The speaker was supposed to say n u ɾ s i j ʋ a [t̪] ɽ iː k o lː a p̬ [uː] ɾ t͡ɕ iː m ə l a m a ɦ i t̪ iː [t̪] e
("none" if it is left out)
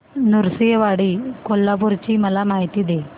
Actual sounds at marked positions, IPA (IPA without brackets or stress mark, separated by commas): none, u, d̪